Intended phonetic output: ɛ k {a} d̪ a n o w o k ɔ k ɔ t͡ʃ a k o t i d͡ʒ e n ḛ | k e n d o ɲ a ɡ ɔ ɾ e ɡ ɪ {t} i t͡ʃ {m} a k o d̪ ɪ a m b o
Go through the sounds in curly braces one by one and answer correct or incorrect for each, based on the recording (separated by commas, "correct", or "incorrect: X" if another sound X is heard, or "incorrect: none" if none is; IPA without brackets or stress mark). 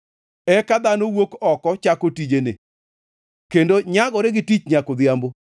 correct, correct, incorrect: ɲ